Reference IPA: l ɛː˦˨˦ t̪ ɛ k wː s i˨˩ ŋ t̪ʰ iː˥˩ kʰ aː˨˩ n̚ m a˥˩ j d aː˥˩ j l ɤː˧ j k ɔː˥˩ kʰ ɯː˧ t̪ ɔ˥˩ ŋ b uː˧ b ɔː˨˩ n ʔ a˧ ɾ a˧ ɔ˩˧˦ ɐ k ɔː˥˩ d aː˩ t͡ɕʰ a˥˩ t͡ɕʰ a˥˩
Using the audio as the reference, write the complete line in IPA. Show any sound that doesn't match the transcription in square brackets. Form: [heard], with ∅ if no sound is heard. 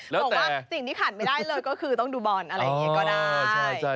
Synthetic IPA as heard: l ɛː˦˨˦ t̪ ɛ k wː s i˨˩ ŋ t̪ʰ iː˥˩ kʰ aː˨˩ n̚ m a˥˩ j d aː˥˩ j l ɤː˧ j k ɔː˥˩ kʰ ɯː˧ t̪ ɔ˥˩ ŋ [d] uː˧ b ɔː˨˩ n ʔ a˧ ɾ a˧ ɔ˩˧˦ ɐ k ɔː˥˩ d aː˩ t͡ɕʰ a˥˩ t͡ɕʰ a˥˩